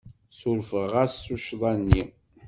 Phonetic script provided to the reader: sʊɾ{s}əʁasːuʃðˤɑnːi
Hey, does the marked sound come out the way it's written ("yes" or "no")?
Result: no